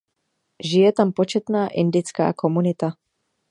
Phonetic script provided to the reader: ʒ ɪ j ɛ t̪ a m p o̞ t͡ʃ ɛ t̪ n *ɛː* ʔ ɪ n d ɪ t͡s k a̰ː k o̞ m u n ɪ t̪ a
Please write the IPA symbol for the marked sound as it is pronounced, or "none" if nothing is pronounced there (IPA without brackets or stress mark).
aː